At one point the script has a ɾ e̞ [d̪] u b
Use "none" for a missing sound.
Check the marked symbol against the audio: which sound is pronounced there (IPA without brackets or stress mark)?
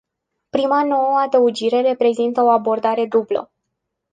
d̪